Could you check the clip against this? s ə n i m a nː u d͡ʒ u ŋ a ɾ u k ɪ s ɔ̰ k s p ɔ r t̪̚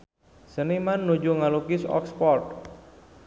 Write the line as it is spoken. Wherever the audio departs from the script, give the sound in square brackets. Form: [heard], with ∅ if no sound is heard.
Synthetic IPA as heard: s ə n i m a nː u d͡ʒ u ŋ a [l] u k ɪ s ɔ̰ k s p ɔ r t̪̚